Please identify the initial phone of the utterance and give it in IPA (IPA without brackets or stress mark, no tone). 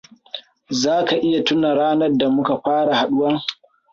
z